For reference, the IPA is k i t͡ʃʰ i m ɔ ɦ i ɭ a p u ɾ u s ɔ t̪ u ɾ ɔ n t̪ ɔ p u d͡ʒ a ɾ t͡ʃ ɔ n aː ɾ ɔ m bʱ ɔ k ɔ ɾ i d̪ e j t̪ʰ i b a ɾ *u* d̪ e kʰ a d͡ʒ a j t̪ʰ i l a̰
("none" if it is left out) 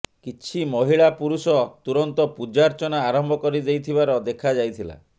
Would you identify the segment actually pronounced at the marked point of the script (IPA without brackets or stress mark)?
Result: ɔ